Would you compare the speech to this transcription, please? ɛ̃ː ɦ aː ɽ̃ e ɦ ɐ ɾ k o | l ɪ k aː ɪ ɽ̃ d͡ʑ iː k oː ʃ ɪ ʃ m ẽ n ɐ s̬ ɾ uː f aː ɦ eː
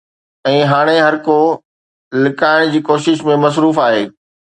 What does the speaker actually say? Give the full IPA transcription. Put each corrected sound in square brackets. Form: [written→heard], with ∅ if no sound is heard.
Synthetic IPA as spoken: ɛ̃ː ɦ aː ɽ̃ e ɦ ɐ ɾ k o | l ɪ k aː ɪ ɽ̃ d͡ʑ iː k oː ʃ ɪ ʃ m ẽ [n→m] ɐ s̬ ɾ uː f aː ɦ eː